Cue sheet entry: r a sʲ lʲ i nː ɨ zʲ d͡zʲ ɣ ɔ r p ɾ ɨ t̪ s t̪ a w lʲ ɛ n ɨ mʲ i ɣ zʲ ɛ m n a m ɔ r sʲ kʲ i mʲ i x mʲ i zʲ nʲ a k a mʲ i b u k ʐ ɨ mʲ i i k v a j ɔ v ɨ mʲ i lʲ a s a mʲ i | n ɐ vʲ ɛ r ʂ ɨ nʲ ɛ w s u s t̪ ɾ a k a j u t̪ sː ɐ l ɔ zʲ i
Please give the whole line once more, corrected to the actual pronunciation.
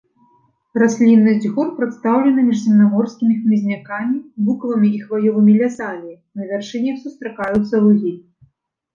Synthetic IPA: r a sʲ lʲ i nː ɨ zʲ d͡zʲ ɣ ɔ r p ɾ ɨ t̪ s t̪ a w lʲ ɛ n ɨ mʲ i ʐ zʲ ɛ m n a m ɔ r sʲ kʲ i mʲ i x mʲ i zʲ nʲ a k a mʲ i b u k v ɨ mʲ i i x v a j ɔ v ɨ mʲ i lʲ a s a mʲ i | n ɐ vʲ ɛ r ʂ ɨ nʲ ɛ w s u s t̪ ɾ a k a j u t̪ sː ɐ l u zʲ i